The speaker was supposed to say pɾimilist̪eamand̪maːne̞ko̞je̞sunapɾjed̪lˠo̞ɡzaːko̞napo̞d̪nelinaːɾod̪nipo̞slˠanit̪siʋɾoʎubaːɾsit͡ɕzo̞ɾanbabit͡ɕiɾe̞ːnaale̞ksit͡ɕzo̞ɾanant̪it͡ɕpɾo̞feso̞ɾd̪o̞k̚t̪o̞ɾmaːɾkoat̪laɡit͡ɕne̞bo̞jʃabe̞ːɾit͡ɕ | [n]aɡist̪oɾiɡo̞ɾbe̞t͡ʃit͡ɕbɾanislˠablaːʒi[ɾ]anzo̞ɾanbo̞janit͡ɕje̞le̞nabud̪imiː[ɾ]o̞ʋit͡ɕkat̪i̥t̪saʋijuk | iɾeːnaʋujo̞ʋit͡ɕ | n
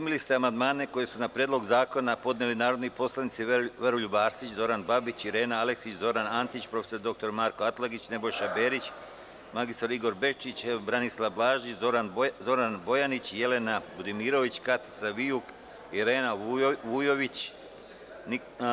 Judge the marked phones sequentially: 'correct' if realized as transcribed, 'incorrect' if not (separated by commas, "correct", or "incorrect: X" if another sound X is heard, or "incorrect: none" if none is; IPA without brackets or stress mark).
incorrect: m, correct, correct